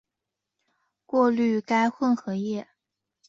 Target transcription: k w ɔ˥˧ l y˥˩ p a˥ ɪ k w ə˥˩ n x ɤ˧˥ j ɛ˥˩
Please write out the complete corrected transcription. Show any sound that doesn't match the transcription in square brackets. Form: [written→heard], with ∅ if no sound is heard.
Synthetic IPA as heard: k w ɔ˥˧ l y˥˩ [p→k] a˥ ɪ [k→x] w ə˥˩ n x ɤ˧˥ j ɛ˥˩